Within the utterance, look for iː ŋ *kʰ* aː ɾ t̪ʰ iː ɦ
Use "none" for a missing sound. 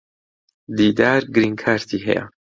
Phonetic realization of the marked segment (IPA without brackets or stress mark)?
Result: kʰ